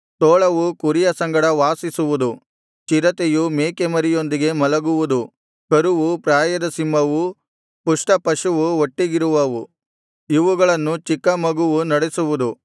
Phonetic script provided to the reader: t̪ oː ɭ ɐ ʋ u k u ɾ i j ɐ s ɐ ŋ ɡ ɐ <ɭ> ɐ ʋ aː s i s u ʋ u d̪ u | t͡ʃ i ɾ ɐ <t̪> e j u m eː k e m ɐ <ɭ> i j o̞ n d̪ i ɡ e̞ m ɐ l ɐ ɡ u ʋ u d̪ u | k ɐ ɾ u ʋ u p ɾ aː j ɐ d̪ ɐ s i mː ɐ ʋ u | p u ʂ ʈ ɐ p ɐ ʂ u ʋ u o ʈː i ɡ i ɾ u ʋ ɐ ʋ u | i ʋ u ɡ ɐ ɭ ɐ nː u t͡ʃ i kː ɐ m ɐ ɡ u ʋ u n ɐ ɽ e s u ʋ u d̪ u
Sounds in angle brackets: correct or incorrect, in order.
incorrect, correct, incorrect

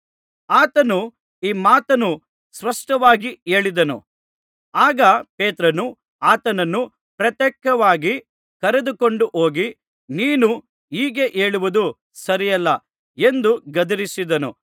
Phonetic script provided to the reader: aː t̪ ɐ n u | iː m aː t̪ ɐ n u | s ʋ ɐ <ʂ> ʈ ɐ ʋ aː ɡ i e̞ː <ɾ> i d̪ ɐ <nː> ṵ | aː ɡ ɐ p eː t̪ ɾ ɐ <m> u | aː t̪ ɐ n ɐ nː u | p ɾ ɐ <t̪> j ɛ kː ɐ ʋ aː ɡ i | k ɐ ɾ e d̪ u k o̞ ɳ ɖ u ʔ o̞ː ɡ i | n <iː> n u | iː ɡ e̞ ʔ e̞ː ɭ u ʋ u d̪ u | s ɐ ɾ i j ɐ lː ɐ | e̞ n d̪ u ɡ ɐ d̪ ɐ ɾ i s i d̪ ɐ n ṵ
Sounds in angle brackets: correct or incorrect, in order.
correct, incorrect, incorrect, incorrect, correct, correct

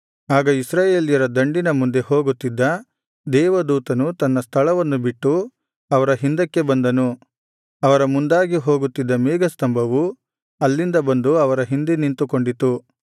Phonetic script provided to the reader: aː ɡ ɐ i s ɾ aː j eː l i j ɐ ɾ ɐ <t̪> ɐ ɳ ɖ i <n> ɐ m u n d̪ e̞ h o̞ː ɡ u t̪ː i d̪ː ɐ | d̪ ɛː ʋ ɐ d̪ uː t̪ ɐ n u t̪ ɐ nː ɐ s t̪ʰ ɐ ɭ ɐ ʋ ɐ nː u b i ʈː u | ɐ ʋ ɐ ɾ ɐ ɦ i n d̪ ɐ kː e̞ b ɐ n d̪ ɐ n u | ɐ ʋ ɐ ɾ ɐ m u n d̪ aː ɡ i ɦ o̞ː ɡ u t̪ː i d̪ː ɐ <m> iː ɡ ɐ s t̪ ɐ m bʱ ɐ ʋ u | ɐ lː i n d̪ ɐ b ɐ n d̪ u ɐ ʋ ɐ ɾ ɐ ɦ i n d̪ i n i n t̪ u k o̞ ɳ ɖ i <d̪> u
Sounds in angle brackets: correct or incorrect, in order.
incorrect, correct, correct, incorrect

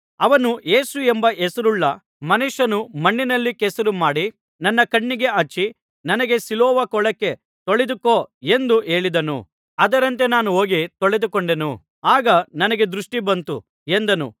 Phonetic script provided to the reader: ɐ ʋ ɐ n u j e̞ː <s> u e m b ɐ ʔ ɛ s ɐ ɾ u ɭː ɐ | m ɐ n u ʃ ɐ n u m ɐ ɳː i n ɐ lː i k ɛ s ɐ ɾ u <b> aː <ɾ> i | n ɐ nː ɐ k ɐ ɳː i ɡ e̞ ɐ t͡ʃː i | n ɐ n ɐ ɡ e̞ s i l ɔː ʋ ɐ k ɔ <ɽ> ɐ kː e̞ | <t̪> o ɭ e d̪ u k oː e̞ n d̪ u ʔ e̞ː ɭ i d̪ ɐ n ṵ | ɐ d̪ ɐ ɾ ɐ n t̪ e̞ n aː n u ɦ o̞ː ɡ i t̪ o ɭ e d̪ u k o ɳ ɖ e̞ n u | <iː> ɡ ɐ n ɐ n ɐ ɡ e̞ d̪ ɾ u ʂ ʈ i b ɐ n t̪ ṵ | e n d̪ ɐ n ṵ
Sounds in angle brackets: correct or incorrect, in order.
correct, incorrect, incorrect, incorrect, correct, incorrect

